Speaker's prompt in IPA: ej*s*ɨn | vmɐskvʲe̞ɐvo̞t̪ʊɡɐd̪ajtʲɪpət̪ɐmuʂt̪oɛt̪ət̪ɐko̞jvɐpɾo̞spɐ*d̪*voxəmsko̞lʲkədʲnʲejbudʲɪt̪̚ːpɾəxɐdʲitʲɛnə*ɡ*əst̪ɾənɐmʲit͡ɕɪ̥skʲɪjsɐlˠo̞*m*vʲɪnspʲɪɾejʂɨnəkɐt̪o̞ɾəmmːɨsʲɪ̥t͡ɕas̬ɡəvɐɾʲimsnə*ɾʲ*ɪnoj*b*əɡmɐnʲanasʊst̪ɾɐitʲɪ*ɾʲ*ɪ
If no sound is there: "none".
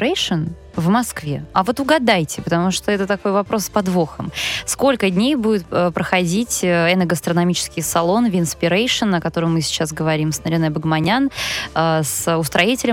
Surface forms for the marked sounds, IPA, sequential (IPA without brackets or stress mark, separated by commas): ʂ, d̪, ɡ, n, ɾʲ, b, lʲ